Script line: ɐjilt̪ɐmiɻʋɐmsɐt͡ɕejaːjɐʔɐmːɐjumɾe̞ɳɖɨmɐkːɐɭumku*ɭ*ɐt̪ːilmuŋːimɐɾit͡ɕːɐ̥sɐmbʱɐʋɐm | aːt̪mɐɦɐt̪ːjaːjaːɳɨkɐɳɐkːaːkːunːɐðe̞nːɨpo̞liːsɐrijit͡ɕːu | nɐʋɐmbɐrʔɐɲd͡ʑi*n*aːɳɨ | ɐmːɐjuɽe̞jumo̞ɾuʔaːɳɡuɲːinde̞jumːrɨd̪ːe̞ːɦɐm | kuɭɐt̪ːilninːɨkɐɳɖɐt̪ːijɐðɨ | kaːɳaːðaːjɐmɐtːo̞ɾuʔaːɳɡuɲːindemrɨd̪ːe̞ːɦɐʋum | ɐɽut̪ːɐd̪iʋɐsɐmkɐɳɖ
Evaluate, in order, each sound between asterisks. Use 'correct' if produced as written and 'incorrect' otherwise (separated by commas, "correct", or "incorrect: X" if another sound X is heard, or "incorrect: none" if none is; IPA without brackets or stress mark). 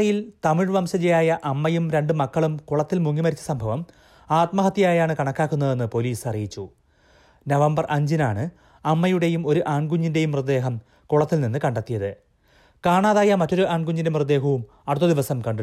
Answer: correct, correct